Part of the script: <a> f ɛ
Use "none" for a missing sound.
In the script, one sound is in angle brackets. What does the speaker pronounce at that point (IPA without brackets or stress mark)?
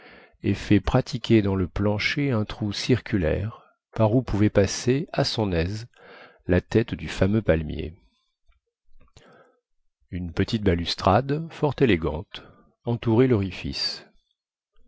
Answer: e